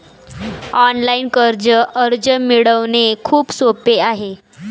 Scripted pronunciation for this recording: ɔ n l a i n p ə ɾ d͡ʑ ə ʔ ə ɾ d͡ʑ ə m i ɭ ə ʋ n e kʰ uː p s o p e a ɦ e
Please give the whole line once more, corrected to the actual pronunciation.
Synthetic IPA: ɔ n l a i n k ə ɾ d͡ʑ ə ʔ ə ɾ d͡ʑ ə m i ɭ ə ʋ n e kʰ uː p s o p e a ɦ e

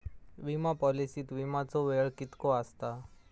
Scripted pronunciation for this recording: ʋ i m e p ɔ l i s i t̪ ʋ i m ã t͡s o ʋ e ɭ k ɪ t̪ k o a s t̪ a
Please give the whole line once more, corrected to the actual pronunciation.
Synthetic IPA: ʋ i m a p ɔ l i s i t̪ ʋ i m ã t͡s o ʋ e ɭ k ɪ t̪ k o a s t̪ a

